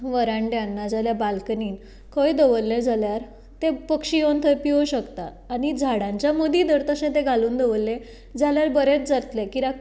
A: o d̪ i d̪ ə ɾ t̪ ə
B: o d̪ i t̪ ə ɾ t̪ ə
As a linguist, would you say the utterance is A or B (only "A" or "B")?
A